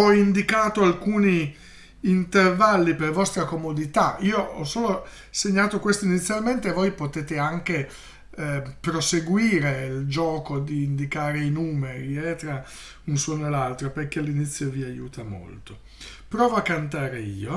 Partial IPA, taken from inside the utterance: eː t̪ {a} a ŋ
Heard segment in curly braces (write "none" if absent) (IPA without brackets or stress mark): e